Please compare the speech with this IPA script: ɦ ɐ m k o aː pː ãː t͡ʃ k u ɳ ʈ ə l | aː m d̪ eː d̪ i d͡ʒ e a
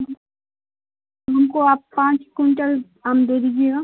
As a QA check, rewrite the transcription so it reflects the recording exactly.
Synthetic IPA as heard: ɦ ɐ m k o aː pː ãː t͡ʃ k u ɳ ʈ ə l | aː m d̪ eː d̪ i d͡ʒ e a